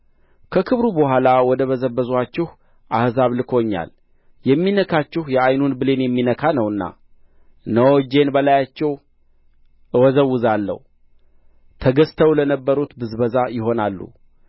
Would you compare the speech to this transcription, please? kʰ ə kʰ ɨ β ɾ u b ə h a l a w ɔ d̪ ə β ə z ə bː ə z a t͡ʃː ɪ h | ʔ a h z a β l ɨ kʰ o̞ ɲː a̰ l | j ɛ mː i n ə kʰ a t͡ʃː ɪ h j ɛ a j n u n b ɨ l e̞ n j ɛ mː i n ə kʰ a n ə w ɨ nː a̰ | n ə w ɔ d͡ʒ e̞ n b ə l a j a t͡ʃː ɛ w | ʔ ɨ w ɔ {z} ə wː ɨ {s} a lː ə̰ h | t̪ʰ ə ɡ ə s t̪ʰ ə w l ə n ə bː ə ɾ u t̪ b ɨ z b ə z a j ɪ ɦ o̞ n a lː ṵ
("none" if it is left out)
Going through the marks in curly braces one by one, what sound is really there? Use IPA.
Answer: z, z

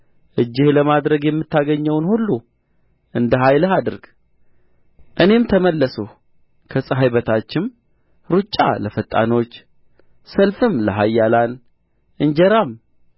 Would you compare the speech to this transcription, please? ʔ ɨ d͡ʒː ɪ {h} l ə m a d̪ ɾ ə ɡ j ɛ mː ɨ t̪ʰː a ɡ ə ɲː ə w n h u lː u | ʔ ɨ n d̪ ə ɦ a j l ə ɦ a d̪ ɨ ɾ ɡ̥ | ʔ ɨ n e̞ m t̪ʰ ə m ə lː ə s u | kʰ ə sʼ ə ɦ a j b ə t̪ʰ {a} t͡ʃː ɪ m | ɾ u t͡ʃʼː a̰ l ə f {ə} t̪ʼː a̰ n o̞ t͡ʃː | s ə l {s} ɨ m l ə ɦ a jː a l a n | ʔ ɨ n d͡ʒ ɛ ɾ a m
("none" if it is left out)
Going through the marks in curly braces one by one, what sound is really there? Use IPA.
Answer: h, a, ə, f

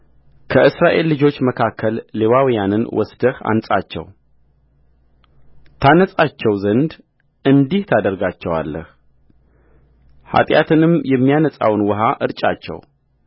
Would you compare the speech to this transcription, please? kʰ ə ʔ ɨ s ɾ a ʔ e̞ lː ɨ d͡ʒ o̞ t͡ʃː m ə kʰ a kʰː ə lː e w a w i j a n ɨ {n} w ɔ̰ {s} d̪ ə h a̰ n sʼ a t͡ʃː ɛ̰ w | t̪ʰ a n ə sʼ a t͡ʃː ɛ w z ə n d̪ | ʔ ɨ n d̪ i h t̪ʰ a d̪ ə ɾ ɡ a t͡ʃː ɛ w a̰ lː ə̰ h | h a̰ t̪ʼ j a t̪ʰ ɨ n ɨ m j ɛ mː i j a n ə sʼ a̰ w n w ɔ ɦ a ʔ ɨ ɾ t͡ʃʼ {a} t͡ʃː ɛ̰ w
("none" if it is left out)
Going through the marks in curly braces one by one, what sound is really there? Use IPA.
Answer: n, s, a

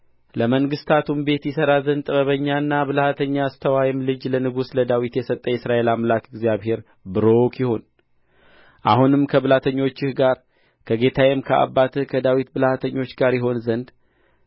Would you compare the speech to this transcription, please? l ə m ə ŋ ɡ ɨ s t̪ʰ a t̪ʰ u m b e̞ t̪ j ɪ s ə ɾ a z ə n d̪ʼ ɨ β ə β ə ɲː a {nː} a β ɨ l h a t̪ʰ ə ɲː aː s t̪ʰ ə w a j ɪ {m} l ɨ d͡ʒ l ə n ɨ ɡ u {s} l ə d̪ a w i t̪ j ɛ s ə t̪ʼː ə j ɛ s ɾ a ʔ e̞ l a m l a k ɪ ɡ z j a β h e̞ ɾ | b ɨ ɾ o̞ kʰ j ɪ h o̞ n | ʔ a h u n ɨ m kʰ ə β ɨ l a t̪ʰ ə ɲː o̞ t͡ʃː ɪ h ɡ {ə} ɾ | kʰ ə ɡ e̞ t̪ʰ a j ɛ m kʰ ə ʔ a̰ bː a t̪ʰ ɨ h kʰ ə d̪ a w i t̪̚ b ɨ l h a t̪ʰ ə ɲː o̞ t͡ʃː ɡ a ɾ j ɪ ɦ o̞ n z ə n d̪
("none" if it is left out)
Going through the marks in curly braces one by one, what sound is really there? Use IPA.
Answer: nː, m, s, a

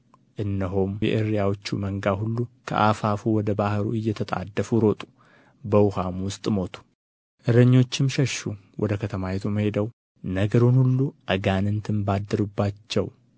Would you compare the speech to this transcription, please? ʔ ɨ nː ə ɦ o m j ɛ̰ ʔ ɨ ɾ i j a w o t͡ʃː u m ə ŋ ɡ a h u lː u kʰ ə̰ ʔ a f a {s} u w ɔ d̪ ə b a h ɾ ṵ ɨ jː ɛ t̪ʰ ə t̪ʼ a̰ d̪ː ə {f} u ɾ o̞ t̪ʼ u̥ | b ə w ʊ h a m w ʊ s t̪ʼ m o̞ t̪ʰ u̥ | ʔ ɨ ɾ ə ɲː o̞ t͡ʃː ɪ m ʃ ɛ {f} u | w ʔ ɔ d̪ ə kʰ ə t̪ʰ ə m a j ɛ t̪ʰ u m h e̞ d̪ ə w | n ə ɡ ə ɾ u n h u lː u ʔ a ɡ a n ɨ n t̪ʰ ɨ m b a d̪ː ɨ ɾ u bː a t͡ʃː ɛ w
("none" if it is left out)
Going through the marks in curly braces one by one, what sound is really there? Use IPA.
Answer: f, f, ʃ

